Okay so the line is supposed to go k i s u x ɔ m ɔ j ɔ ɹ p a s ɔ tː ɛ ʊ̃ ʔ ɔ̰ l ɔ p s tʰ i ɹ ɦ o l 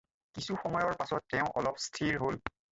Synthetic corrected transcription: k i s u x ɔ m ɔ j ɔ ɹ p a s ɔ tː ɛ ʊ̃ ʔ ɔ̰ l ɔ p s tʰ i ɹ ɦ o l